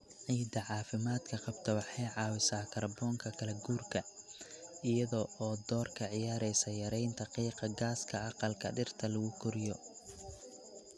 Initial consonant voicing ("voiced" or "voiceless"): voiced